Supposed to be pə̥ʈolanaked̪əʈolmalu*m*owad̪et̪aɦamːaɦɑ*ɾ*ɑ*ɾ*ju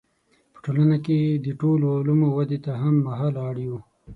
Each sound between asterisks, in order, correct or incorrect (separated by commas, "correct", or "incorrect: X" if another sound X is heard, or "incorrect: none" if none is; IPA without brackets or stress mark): correct, incorrect: l, incorrect: ɽ